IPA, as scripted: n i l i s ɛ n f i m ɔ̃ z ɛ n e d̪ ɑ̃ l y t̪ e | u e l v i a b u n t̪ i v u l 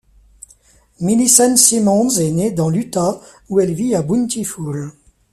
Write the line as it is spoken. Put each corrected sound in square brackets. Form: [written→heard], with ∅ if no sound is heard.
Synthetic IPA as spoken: [n→m] i l i s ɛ n [f→s] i m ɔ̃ z ɛ n e d̪ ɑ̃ l y t̪ [e→a] | u [e→ɛ] l v i a b u n t̪ i [v→f] u l